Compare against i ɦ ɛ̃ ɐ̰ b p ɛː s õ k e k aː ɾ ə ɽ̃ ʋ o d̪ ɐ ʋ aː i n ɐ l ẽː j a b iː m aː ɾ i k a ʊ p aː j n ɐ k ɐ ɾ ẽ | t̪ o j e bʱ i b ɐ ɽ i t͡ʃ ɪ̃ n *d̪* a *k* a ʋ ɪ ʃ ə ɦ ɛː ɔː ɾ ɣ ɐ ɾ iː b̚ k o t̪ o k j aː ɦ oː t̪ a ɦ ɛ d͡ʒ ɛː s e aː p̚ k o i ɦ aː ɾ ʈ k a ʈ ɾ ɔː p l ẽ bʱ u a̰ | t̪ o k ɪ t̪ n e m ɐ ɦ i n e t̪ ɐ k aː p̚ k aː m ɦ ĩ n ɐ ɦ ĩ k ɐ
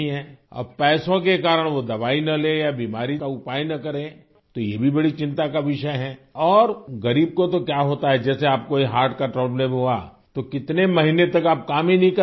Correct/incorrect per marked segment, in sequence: incorrect: t̪, correct

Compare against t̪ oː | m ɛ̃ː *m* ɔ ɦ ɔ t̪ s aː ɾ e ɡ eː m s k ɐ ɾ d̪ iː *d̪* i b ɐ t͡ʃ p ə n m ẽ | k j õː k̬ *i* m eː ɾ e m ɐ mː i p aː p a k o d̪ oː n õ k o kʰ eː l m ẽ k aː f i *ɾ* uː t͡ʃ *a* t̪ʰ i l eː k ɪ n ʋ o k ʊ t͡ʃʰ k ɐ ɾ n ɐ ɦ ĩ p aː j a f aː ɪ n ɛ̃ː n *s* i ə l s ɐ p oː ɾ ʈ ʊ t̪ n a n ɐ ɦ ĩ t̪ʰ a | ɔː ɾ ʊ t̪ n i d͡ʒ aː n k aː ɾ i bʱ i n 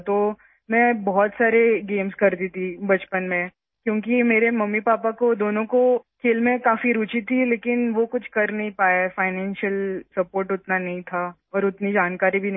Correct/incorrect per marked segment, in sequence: incorrect: b, incorrect: t̪, correct, correct, incorrect: i, incorrect: ʃ

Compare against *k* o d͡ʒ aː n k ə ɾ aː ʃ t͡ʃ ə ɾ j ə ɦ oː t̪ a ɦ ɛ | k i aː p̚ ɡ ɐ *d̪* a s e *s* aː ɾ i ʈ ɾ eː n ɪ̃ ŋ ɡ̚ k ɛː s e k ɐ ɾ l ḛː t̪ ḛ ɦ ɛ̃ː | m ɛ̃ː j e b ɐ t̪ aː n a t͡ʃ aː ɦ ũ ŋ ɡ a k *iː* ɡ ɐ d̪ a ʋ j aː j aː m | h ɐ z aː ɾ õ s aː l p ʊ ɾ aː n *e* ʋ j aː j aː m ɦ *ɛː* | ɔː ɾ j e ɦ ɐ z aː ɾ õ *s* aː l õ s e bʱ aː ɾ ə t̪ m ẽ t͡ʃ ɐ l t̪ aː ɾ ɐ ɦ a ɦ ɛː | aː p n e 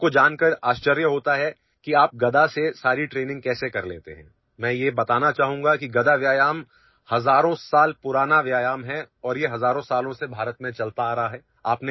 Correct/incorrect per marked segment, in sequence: correct, correct, correct, incorrect: i, incorrect: a, incorrect: ɛ, correct

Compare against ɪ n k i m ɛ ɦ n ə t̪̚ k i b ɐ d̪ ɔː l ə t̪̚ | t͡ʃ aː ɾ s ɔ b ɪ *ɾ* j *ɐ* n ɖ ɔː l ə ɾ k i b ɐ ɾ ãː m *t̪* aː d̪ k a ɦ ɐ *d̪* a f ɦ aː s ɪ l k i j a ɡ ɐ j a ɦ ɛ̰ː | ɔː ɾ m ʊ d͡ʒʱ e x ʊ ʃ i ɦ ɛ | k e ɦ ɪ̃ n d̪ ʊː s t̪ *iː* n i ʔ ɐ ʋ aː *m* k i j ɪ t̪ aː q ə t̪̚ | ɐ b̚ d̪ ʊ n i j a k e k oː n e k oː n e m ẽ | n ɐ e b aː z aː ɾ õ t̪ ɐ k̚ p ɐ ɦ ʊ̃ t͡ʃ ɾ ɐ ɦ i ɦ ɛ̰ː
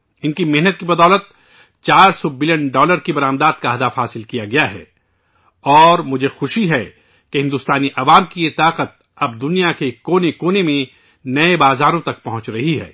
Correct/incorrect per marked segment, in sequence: incorrect: l, incorrect: ə, incorrect: d̪, correct, incorrect: aː, correct

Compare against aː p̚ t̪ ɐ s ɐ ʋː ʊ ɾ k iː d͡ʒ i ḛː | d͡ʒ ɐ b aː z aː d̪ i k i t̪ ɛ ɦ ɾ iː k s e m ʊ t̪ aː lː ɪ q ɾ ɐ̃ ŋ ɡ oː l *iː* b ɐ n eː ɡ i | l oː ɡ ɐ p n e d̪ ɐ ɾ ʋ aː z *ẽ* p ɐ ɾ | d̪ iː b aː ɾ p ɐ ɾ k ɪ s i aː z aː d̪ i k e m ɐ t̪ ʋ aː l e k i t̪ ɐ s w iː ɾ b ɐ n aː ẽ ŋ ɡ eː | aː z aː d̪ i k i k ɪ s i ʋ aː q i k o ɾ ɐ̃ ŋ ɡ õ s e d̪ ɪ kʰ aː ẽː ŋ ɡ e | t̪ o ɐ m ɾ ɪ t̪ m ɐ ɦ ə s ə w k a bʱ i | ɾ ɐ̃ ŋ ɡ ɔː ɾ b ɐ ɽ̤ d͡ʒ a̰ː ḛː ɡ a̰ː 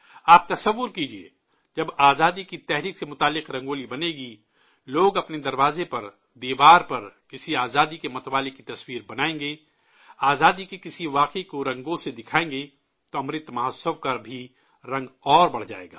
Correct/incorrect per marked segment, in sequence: incorrect: i, incorrect: e

